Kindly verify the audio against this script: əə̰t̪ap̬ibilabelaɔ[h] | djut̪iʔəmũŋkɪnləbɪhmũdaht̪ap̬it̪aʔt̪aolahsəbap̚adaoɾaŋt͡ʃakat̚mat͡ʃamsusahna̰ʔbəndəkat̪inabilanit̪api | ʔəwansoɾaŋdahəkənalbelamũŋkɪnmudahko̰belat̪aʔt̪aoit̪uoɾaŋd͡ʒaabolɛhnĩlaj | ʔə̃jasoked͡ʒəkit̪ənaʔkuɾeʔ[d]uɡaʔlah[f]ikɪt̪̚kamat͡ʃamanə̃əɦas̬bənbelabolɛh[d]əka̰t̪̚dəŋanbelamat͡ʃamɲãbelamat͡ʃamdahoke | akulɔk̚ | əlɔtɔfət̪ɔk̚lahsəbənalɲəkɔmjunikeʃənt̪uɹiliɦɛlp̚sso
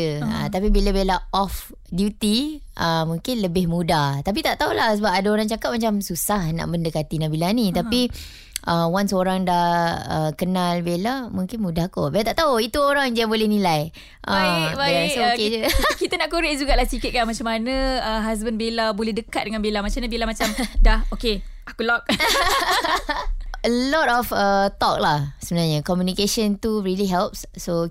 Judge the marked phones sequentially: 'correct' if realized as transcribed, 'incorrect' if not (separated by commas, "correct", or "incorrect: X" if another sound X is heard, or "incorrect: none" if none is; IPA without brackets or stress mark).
incorrect: f, incorrect: d͡ʒ, incorrect: s, correct